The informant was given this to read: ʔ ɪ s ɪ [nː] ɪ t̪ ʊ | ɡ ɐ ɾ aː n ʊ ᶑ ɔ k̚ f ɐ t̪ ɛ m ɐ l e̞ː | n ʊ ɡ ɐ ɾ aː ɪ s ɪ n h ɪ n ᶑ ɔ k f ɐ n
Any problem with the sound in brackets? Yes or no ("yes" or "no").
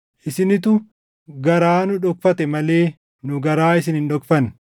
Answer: yes